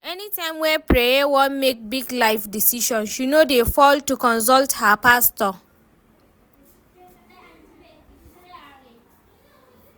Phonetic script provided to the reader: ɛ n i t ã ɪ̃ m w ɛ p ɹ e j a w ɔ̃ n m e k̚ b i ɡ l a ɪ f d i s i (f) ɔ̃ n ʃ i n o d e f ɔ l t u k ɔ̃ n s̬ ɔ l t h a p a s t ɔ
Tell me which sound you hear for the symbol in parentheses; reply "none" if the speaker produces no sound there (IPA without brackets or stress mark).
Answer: ʃ